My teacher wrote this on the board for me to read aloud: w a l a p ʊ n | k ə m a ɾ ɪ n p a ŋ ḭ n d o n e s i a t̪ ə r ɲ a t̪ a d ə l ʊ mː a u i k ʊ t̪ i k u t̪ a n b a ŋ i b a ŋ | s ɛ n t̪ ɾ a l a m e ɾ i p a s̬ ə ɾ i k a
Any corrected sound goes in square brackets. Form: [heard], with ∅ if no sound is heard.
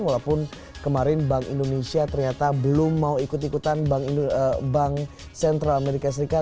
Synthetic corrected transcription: w a l a p ʊ n | k ə m a ɾ ɪ n [b] a ŋ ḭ n d o n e s i a t̪ ə r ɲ a t̪ a [b] ə l ʊ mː a u i k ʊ t̪ i k u t̪ a n b a ŋ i b a ŋ | s ɛ n t̪ ɾ a l a m e ɾ i [k] a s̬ ə ɾ i k a